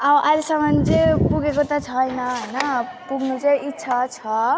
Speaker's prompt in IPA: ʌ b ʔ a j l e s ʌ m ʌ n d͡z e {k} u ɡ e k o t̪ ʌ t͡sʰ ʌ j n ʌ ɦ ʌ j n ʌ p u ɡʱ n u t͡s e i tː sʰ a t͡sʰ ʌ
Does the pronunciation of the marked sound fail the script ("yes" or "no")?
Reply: yes